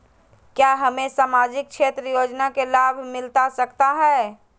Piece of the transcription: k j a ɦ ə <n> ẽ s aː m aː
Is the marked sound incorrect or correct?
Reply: incorrect